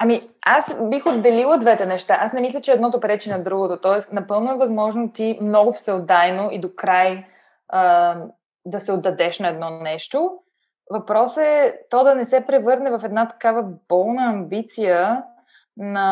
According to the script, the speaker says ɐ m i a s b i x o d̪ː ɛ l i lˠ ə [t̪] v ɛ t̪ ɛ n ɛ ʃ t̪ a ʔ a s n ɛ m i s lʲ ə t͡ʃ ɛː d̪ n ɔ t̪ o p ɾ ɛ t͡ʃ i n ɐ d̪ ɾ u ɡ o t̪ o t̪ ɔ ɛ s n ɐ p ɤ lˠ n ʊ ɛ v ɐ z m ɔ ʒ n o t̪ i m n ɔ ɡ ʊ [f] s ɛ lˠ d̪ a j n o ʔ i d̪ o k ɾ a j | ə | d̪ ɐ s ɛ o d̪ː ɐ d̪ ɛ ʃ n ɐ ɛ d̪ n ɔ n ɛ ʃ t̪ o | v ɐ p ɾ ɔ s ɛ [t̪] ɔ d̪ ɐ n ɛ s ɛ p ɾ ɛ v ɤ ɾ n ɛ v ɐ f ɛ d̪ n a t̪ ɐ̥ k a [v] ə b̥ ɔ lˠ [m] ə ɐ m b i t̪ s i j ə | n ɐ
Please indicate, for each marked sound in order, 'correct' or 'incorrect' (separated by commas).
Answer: incorrect, correct, correct, correct, incorrect